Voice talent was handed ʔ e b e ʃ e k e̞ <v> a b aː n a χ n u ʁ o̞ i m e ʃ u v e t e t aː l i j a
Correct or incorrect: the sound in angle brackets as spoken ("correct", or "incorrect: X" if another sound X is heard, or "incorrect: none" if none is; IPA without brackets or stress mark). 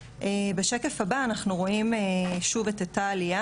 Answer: incorrect: f